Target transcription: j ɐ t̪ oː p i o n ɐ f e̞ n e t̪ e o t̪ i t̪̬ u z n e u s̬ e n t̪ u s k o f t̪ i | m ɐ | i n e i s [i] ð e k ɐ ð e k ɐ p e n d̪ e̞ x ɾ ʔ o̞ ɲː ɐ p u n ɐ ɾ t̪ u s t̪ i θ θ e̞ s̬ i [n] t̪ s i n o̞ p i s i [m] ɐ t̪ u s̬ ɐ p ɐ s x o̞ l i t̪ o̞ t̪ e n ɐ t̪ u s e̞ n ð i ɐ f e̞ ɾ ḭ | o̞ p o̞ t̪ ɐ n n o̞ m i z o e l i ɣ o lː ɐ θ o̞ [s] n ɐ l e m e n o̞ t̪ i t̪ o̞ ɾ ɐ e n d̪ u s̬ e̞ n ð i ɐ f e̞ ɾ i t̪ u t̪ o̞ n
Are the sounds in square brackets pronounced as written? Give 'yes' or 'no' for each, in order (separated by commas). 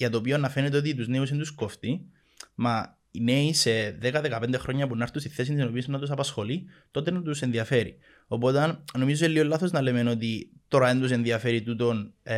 no, yes, no, no